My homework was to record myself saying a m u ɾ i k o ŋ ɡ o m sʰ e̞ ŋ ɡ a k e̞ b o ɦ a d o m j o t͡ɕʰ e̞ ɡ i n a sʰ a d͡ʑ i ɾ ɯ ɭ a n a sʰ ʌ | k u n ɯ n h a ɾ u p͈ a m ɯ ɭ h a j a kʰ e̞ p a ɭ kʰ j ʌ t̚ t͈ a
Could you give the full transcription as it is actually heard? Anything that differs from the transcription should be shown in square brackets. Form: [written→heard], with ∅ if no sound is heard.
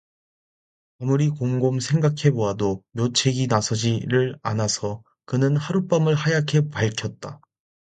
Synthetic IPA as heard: a m u ɾ i k o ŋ ɡ o m sʰ e̞ ŋ ɡ a [k→kʰ] e̞ b o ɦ a d o m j o t͡ɕʰ e̞ ɡ i n a sʰ [a→ʌ] d͡ʑ i ɾ ɯ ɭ a n a sʰ ʌ | k [u→ɯ] n ɯ n h a ɾ u p͈ a m ɯ ɭ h a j a kʰ e̞ p a ɭ kʰ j ʌ t̚ t͈ a